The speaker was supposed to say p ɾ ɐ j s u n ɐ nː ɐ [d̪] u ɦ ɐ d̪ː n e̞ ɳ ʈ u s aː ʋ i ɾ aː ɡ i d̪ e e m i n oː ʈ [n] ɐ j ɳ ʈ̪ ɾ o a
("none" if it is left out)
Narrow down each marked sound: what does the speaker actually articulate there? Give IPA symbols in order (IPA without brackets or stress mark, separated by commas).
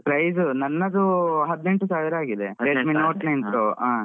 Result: d̪, n